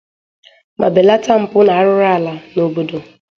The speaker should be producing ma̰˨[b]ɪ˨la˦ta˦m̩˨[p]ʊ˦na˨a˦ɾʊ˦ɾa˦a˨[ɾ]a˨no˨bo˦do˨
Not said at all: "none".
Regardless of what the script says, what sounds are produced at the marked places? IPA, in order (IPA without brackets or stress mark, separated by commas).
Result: b, p, l